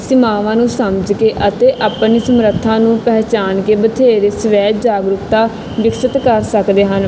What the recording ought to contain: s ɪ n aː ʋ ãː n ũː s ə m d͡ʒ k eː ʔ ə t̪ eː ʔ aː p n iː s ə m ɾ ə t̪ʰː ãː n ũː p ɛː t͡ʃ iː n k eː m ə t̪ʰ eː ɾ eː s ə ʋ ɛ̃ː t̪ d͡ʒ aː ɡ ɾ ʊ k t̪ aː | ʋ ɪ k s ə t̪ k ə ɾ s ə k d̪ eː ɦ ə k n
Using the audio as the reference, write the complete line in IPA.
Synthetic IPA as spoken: s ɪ m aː ʋ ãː n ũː s ə m d͡ʒ k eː ʔ ə t̪ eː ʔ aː p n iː s ə m ɾ ə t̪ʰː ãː n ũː p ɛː t͡ʃ aː n k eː b ə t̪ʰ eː ɾ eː s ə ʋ ɛː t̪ d͡ʒ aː ɡ ɾ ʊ k t̪ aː | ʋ ɪ k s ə t̪ k ə ɾ s ə k d̪ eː ɦ ə n

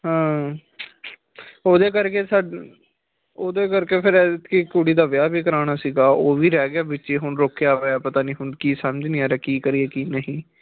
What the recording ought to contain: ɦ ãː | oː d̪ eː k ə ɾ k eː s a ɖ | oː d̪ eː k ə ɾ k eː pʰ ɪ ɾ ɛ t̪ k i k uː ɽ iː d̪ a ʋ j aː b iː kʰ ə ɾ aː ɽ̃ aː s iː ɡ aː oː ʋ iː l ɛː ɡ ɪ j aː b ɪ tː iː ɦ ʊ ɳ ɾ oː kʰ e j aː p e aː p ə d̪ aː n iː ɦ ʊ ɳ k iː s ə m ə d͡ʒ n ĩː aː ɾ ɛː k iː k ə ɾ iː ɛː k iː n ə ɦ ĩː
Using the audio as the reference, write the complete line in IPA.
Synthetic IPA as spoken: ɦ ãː | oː d̪ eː k ə ɾ k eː s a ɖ | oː d̪ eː k ə ɾ k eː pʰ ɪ ɾ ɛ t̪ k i k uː ɽ iː d̪ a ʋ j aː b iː k ə ɾ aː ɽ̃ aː s iː ɡ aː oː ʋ iː ɾ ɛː ɡ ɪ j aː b ɪ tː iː ɦ ʊ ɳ ɾ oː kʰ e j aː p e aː p ə t̪ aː n iː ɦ ʊ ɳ k iː s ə m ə d͡ʒ n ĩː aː ɾ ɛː k iː k ə ɾ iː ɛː k iː n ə ɦ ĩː

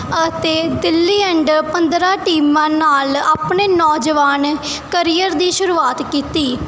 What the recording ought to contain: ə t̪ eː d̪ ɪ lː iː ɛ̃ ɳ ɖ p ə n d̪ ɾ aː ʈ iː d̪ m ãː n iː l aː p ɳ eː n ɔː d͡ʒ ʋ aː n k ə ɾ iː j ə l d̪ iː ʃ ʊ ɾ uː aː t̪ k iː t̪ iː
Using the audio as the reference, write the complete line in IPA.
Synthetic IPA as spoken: ə t̪ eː d̪ ɪ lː iː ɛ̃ ɳ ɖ p ə n d̪ ɾ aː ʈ iː m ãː n aː l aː p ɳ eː n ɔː d͡ʒ ʋ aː n k ə ɾ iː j ə ɾ d̪ iː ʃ ʊ ɾ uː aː t̪ k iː t̪ iː

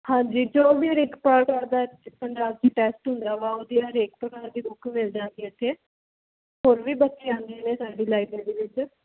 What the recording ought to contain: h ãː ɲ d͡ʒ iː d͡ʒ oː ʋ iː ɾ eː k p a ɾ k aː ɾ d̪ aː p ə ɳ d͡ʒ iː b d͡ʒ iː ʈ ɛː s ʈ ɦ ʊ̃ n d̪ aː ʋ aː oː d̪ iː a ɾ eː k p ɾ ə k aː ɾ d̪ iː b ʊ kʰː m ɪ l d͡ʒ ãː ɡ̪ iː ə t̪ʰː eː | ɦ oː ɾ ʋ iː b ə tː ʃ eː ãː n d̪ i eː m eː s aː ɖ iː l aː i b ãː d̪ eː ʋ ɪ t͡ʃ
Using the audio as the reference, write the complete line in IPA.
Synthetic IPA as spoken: h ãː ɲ d͡ʒ iː d͡ʒ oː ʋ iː ɾ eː k p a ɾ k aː ɾ d̪ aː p ə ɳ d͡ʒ aː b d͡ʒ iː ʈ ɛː s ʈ ɦ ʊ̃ n d̪ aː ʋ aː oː d̪ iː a ɾ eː k p ɾ ə k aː ɾ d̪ iː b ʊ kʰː m ɪ l d͡ʒ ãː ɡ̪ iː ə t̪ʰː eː | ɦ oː ɾ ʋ iː b ə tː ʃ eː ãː n d̪ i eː n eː s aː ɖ iː l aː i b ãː d̪ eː ʋ ɪ t͡ʃ

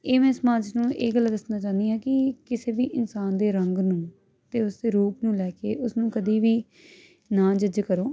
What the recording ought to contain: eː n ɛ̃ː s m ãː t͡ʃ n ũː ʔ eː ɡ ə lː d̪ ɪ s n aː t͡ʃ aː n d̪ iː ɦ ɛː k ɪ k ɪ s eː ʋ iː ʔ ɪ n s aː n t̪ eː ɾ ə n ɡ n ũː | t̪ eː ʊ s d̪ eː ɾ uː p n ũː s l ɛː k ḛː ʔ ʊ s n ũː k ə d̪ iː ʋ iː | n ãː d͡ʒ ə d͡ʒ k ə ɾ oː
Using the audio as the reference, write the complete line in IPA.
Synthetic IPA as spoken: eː m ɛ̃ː s m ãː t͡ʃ n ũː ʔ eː ɡ ə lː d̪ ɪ s n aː t͡ʃ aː n d̪ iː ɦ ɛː k ɪ k ɪ s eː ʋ iː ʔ ɪ n s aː n d̪ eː ɾ ə ŋ ɡ n ũː | t̪ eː ʊ s d̪ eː ɾ uː p n ũː l ɛː k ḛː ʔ ʊ s n ũː k ə d̪ iː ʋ iː | n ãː d͡ʒ ə d͡ʒ k ə ɾ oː

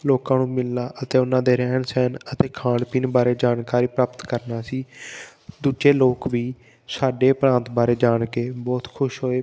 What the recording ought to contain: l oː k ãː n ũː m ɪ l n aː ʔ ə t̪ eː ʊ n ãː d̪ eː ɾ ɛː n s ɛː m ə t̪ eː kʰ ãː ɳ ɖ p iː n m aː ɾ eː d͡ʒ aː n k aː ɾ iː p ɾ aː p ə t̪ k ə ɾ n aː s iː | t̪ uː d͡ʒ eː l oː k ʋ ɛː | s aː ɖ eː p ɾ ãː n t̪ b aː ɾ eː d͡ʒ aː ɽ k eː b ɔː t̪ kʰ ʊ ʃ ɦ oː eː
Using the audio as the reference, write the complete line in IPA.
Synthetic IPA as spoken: l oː k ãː n ũː m ɪ l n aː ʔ ə t̪ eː ʊ n ãː d̪ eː ɾ ɛː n s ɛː n ə t̪ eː kʰ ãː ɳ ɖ p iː n b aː ɾ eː d͡ʒ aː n k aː ɾ iː p ɾ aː p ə t̪ k ə ɾ n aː s iː | d̪ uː d͡ʒ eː l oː k ʋ iː | s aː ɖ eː p ɾ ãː n t̪ b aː ɾ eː d͡ʒ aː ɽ k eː b ɔː t̪ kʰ ʊ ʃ ɦ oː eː

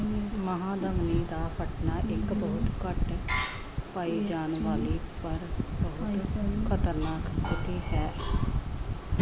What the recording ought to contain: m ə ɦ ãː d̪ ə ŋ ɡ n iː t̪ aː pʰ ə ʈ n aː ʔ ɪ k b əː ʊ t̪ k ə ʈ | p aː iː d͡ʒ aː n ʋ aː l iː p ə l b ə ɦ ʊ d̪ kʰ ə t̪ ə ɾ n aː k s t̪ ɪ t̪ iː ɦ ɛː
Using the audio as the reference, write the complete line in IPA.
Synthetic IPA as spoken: m ə ɦ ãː d̪ ə ŋ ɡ n iː d̪ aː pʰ ə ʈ n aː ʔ ɪ k b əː ʊ t̪ k ə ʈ | p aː iː d͡ʒ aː n ʋ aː l iː p ə ɾ b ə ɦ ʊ t̪ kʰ ə t̪ ə ɾ n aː k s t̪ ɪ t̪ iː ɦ ɛː

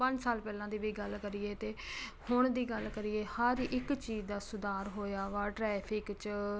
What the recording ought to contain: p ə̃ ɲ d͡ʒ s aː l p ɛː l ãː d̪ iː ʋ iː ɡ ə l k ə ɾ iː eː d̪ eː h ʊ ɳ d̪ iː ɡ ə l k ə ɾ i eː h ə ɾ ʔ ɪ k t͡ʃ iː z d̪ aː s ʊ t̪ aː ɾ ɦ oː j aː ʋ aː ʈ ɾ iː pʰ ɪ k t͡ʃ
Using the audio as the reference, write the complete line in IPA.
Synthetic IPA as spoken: p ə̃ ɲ d͡ʒ s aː l p ɛː l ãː d̪ iː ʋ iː ɡ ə l k ə ɾ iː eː t̪ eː h ʊ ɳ d̪ iː ɡ ə l k ə ɾ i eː h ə ɾ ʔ ɪ k t͡ʃ iː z d̪ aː s ʊ d̪ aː ɾ ɦ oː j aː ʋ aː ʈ ɾ ɛː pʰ ɪ k t͡ʃ

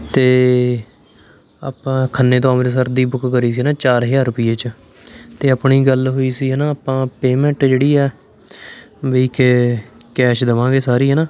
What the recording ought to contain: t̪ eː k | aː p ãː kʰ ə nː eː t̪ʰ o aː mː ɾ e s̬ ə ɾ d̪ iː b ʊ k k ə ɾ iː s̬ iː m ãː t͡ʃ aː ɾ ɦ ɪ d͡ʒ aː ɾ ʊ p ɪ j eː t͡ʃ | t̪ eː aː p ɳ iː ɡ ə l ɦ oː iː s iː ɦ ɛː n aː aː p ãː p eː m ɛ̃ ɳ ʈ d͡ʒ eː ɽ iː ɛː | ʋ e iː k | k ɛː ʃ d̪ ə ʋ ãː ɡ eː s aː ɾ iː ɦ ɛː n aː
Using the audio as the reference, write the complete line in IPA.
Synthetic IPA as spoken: t̪ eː | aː p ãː kʰ ə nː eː t̪ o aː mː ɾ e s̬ ə ɾ d̪ iː b ʊ k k ə ɾ iː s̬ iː n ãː t͡ʃ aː ɾ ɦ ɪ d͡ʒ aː ɾ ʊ p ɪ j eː t͡ʃ | t̪ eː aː p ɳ iː ɡ ə l ɦ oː iː s iː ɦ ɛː n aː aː p ãː p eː m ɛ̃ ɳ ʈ d͡ʒ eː ɽ iː ɛː | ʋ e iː k | k ɛː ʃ d̪ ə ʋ ãː ɡ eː s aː ɾ iː ɦ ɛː n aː

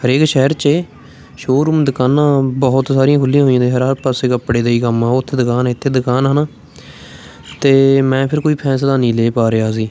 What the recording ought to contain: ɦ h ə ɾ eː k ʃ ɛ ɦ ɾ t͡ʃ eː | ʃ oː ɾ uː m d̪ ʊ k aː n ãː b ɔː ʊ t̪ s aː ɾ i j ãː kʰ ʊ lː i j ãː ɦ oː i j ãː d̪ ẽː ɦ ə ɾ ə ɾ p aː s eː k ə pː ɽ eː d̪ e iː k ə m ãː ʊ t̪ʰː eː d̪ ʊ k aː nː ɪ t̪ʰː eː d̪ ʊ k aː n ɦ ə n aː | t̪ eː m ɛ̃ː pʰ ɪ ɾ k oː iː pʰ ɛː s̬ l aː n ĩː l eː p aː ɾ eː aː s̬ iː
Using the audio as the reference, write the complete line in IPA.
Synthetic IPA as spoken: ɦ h ə ɾ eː k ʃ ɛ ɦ ɾ t͡ʃ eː | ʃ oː ɾ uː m d̪ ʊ k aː n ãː b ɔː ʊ t̪ s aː ɾ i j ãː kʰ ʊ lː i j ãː ɦ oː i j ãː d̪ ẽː ɦ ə ɾ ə ɾ p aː s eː k ə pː ɽ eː d̪ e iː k ə m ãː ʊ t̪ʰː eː d̪ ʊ k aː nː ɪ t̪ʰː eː d̪ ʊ k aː n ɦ ə n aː | t̪ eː m ɛ̃ː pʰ ɪ ɾ k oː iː pʰ ɛː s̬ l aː n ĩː l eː p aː ɾ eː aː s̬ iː

